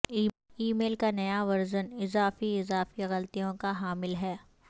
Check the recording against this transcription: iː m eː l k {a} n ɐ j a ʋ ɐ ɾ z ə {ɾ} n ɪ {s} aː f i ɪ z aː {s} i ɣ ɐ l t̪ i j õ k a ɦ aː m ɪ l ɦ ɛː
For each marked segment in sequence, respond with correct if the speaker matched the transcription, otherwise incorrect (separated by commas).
correct, incorrect, incorrect, incorrect